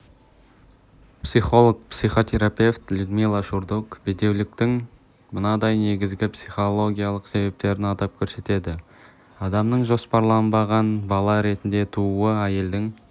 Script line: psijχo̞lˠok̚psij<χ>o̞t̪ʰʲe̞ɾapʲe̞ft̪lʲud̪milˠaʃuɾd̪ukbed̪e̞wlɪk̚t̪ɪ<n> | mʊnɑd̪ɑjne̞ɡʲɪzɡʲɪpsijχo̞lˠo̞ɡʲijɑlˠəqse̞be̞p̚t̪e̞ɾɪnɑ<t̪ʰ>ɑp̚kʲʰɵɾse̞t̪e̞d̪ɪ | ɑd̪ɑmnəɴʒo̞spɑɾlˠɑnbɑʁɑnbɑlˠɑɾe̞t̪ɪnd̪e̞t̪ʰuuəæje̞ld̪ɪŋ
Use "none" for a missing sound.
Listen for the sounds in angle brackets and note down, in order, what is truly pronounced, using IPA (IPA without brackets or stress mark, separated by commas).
χ, ŋ, t̪